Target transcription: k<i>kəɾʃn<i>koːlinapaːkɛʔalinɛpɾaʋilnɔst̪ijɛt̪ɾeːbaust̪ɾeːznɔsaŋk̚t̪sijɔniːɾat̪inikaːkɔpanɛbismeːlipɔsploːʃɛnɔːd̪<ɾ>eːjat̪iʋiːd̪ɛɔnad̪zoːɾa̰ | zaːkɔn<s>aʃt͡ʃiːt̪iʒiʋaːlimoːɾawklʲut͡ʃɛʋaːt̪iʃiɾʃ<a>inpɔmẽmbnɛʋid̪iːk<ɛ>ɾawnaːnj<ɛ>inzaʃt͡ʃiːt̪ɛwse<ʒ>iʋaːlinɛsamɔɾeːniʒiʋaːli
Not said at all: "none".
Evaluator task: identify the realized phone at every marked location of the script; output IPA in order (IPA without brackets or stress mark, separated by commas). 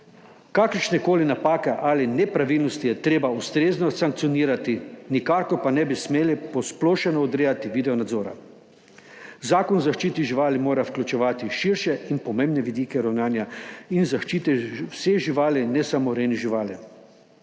a, ɛ, ɾ, z, ɛ, ɛ, a, ʒ